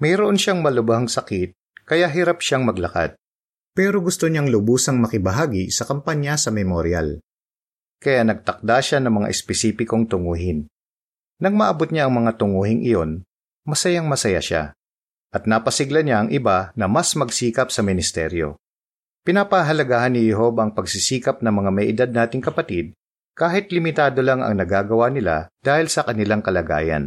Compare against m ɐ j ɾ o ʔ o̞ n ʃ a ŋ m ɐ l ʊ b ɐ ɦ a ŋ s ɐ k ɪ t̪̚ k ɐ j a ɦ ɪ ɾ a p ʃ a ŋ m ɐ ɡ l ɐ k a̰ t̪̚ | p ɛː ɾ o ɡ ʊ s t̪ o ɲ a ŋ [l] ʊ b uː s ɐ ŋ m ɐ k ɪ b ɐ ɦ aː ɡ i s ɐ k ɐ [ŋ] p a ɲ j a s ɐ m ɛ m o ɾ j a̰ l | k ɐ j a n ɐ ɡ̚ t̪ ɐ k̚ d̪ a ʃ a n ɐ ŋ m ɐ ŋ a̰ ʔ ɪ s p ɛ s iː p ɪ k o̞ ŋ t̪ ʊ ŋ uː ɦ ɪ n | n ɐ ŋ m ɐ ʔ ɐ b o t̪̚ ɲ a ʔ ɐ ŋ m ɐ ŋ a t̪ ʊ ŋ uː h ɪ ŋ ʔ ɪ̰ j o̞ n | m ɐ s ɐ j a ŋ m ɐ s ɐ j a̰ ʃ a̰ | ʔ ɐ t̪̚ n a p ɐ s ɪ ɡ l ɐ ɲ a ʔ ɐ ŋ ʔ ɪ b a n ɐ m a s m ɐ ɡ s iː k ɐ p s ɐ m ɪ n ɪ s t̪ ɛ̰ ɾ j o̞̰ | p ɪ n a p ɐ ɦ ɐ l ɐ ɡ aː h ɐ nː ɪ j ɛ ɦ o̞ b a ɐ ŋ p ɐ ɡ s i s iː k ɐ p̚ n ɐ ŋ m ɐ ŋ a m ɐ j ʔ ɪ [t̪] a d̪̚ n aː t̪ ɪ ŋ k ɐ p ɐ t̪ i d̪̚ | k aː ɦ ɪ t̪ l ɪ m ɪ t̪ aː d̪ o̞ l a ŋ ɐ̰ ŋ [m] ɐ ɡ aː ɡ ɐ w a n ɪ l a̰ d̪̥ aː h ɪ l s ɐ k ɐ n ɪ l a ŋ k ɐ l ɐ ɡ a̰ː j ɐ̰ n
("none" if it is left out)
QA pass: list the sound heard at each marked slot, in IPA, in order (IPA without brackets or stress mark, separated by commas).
l, m, d̪, n